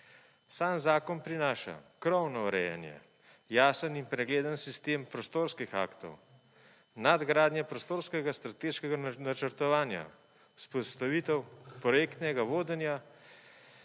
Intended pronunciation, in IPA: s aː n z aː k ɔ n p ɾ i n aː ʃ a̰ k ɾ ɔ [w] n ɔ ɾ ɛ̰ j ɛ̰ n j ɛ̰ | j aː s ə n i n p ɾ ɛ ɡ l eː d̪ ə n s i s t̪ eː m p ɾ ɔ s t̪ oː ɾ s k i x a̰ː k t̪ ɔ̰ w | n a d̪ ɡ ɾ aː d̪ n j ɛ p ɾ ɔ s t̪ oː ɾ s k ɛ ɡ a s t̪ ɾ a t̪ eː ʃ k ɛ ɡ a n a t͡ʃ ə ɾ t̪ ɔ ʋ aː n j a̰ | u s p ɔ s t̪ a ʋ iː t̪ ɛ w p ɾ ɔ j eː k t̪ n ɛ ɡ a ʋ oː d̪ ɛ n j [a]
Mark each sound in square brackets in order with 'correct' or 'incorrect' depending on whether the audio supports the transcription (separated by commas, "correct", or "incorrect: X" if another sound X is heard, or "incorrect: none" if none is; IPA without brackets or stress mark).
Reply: correct, correct